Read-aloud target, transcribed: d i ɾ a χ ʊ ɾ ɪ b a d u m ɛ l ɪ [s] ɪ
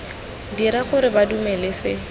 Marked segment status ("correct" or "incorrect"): correct